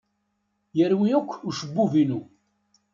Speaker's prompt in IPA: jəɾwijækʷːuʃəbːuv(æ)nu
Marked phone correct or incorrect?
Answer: incorrect